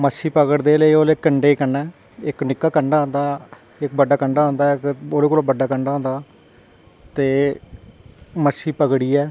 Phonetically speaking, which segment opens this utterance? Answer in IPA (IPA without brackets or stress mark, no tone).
m